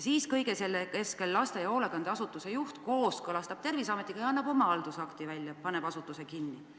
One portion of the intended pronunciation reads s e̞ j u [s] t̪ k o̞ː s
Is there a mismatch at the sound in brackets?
yes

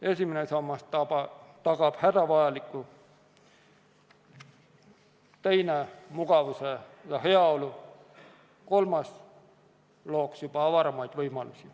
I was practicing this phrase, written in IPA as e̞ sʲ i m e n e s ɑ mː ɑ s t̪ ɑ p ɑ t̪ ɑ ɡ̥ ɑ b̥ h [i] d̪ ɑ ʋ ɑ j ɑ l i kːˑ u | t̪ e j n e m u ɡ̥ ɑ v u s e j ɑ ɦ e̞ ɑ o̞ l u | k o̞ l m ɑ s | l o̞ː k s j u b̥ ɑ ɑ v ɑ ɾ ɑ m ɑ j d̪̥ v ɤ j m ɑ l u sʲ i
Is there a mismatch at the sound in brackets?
yes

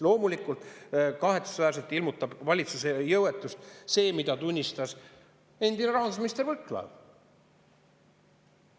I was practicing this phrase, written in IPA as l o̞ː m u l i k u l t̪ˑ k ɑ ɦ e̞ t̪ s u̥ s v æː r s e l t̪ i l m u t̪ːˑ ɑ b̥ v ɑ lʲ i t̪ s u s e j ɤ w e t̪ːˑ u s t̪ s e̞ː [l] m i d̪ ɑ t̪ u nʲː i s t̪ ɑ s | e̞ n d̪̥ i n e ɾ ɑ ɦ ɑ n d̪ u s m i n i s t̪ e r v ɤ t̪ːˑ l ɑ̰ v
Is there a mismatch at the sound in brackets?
yes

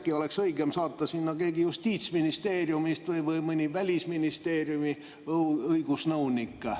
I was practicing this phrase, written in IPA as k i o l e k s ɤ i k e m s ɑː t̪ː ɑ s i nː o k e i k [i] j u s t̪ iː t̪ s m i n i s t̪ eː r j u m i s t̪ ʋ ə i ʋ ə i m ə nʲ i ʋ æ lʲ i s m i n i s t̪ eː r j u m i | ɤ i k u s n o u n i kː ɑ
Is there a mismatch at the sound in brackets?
no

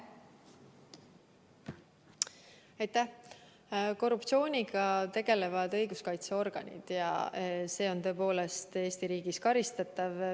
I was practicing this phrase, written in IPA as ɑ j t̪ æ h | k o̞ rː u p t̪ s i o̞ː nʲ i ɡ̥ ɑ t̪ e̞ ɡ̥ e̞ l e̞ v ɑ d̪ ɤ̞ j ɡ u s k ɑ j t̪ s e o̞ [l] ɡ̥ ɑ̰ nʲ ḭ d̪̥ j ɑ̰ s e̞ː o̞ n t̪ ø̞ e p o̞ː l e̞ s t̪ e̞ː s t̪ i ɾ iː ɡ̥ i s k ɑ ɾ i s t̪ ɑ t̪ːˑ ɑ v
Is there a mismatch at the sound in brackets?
yes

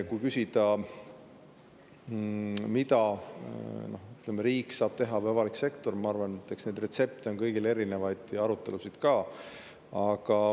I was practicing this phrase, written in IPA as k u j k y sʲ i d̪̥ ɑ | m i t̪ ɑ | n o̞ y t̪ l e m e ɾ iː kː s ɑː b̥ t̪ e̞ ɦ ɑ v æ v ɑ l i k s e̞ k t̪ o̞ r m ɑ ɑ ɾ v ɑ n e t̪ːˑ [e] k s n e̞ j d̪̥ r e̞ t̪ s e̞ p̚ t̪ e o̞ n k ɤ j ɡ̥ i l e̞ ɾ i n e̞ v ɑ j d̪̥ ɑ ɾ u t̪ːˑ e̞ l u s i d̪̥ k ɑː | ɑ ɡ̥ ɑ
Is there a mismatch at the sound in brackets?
no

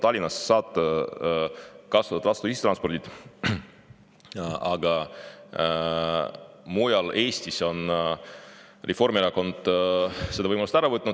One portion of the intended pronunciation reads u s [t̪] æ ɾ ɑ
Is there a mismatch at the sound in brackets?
no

